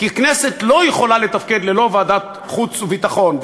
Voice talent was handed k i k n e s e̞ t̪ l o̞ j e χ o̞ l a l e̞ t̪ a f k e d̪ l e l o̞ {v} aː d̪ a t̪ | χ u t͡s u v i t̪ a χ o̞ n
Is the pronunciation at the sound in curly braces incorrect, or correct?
correct